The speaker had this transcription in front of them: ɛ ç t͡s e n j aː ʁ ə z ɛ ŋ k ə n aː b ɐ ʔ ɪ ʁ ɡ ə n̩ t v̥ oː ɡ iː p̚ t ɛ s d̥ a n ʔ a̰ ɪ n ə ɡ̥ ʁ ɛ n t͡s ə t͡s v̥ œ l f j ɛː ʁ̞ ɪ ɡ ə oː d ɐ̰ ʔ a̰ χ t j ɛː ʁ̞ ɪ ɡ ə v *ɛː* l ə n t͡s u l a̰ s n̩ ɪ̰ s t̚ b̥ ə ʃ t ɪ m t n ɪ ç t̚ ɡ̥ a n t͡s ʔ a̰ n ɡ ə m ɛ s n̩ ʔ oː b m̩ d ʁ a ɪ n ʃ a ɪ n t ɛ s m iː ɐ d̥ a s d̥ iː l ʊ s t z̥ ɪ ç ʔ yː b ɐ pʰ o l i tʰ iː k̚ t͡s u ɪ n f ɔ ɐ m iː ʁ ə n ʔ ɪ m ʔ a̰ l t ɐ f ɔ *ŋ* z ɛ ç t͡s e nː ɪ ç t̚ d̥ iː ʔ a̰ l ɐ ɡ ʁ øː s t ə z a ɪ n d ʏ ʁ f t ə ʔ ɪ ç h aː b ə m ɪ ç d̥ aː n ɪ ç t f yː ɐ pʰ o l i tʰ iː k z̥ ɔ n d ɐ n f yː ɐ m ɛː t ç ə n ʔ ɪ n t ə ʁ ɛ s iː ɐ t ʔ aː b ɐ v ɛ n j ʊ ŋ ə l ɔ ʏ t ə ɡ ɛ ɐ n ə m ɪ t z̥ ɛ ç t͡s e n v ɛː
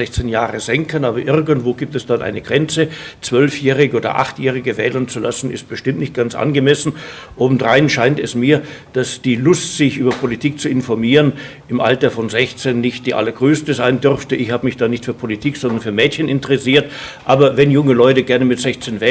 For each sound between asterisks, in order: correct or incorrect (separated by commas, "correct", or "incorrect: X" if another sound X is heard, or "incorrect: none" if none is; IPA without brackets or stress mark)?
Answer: correct, incorrect: n